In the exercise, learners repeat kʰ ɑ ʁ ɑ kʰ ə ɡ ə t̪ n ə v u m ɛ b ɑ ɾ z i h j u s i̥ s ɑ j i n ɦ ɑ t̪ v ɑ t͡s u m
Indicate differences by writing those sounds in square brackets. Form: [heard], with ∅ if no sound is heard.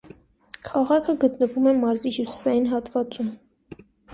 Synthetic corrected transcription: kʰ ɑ ʁ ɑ kʰ ə ɡ ə t̪ n ə v u m ɛ [m] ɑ ɾ z i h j u s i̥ s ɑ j i n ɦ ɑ t̪ v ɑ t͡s u m